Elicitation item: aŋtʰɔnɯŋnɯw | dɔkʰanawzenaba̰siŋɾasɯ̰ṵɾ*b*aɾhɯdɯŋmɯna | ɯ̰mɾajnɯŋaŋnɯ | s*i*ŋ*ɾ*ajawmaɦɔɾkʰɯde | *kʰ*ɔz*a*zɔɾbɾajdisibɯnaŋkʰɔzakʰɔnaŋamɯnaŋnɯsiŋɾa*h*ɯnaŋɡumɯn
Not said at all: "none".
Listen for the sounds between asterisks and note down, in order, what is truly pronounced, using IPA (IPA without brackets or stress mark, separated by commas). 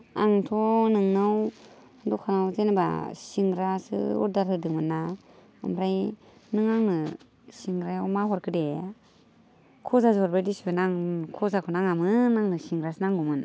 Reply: d, i, ɾ, kʰ, a, s